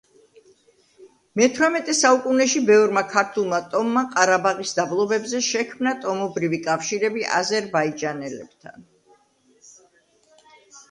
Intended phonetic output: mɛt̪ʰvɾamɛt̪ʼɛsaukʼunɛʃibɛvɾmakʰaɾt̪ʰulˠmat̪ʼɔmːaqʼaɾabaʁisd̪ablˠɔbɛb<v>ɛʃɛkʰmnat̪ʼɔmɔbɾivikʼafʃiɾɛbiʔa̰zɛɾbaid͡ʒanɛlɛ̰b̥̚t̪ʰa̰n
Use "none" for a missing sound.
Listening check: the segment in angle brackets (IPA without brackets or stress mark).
z